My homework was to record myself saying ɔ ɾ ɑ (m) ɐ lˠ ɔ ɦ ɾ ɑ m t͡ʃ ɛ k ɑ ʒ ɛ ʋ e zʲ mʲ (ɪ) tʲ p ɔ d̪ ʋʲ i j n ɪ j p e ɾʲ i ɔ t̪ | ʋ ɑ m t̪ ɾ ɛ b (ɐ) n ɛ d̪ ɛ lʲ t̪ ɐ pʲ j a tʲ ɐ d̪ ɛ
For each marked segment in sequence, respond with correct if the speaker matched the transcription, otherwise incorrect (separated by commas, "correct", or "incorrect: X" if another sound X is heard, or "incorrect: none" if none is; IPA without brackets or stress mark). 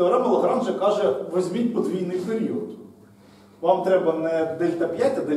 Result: correct, incorrect: i, correct